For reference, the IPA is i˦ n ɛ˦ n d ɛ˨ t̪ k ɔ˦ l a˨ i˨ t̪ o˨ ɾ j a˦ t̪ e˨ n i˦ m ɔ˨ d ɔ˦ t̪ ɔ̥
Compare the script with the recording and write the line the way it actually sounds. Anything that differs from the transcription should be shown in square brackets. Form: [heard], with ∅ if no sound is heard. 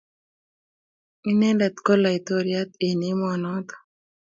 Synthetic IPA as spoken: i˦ n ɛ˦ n d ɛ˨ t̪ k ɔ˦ l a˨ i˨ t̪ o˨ ɾ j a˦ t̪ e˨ n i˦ m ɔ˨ [n] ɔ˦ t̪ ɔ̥